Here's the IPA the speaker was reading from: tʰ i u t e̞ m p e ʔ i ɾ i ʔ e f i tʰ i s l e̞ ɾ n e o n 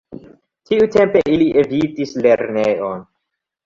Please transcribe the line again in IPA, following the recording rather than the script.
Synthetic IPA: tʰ i u t e̞ m p e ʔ i l i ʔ e v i t i s l e̞ ɾ n e o n